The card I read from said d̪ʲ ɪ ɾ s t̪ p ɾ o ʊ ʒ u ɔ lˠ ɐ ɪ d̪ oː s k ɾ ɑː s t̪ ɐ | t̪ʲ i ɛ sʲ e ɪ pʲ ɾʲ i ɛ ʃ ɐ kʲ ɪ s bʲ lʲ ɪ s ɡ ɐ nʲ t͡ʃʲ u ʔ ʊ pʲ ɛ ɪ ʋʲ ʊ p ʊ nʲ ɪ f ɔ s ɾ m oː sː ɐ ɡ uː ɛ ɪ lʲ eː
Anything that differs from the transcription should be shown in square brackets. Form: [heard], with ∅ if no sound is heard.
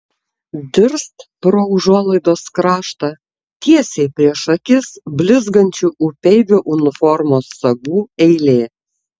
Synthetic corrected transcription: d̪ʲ ɪ ɾ s t̪ p ɾ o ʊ ʒ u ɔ lˠ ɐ ɪ d̪ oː s k ɾ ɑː [ʃ] t̪ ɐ | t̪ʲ i ɛ sʲ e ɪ pʲ ɾʲ i ɛ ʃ ɐ kʲ ɪ s bʲ lʲ ɪ [z] ɡ ɐ nʲ t͡ʃʲ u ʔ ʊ pʲ ɛ ɪ ʋʲ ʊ [ʔ] ʊ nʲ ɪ f ɔ [∅] ɾ m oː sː ɐ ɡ uː ɛ ɪ lʲ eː